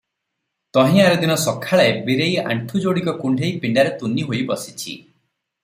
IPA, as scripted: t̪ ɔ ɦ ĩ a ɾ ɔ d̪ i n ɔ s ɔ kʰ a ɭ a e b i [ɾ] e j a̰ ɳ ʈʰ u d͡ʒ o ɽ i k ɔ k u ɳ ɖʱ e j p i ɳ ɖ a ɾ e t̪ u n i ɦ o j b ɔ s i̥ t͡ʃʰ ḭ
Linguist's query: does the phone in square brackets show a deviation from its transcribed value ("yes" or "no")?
no